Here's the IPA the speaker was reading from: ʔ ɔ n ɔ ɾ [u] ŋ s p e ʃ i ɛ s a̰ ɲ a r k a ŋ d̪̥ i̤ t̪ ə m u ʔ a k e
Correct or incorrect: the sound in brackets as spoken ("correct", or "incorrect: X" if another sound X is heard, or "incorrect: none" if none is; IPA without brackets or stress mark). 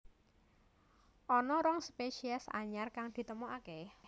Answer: incorrect: ɔ